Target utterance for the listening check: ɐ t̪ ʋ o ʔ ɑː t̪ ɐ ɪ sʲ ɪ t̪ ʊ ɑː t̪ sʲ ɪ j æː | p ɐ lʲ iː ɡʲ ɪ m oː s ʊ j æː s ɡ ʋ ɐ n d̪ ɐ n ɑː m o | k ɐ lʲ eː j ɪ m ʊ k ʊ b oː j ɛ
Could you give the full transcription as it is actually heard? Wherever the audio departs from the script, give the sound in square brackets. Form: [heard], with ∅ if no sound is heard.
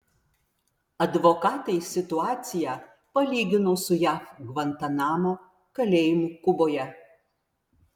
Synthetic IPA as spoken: ɐ [d̪] ʋ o [k] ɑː t̪ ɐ ɪ sʲ ɪ t̪ ʊ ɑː t̪ sʲ ɪ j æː | p ɐ lʲ iː ɡʲ ɪ [n] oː s ʊ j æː [f] ɡ ʋ ɐ n [t̪] ɐ n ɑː m o | k ɐ lʲ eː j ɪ m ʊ k ʊ b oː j ɛ